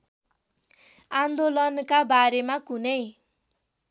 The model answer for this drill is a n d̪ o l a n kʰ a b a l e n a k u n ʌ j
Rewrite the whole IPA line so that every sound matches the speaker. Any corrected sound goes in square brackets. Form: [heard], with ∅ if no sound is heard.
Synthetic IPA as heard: a n d̪ o l [ʌ] n [k] a b a [ɾ] e [m] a k u n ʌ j